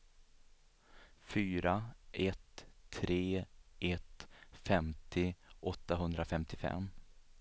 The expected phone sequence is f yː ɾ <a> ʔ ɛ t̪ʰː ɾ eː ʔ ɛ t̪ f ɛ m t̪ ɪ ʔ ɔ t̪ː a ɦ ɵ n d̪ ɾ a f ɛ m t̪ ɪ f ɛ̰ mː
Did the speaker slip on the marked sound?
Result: no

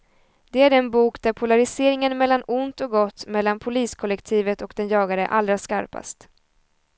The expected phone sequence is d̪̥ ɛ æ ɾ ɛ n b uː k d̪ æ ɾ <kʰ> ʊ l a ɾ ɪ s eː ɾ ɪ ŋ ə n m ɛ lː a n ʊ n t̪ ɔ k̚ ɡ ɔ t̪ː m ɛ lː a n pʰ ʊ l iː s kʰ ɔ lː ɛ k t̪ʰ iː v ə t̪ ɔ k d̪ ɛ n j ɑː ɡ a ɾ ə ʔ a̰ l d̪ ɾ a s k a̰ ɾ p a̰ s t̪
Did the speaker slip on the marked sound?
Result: yes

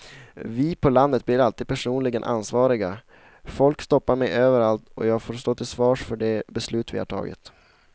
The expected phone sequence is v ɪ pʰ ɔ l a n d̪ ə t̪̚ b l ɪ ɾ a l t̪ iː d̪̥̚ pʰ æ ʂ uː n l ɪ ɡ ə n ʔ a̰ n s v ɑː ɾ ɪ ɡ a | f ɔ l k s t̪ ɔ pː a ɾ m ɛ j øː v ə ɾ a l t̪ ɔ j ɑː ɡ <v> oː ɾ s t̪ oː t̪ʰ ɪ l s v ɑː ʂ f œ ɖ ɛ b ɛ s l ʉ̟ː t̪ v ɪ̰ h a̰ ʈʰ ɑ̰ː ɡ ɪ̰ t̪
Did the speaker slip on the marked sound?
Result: yes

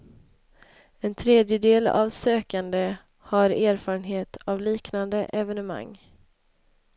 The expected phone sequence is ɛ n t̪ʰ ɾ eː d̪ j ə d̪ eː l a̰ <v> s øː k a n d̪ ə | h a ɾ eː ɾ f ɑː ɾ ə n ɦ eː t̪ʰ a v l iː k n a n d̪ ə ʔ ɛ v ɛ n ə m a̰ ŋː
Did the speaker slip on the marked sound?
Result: no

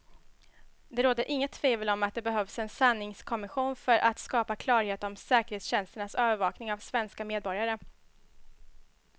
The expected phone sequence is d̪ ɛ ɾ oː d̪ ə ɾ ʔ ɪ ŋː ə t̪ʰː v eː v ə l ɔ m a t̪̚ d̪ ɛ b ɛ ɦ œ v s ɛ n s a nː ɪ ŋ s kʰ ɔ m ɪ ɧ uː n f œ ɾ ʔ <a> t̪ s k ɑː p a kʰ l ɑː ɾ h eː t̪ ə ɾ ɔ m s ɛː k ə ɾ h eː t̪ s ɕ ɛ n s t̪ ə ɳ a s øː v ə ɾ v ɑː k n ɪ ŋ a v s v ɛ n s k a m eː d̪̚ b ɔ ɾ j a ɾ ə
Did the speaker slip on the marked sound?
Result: no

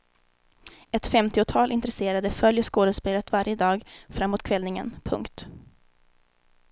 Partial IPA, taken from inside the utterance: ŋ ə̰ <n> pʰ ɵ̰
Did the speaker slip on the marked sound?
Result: no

